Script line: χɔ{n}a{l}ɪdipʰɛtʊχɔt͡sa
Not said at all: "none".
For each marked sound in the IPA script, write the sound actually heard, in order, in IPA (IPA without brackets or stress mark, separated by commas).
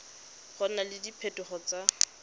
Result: n, l